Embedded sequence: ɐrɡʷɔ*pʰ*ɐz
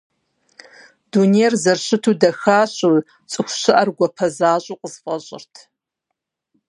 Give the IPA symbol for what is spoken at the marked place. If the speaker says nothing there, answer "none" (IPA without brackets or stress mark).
pʰ